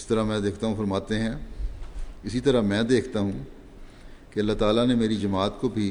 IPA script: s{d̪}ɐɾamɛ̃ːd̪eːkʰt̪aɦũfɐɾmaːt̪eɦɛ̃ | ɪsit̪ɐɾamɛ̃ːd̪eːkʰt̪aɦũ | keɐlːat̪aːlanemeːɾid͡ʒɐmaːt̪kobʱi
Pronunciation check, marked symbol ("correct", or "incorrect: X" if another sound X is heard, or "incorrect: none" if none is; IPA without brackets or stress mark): incorrect: t̪